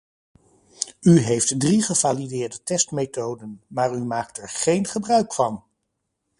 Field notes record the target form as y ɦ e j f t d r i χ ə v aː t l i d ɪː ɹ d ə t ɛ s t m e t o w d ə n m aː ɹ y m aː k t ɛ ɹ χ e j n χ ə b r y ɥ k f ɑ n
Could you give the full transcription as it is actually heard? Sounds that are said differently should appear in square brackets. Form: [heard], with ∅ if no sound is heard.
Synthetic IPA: y ɦ e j f t d r i χ ə v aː [∅] l i d ɪː ɹ d ə t ɛ s t m e t o w d ə n m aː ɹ y m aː k t ɛ ɹ χ e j n χ ə b r [œ] ɥ k f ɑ n